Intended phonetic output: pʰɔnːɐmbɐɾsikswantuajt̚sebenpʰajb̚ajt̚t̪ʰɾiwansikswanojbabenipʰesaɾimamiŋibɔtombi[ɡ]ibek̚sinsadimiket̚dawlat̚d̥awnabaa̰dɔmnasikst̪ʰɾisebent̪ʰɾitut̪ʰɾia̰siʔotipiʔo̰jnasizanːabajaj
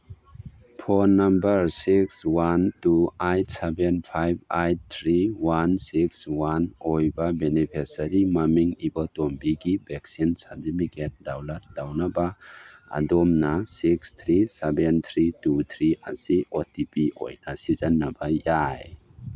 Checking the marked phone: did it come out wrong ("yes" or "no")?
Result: no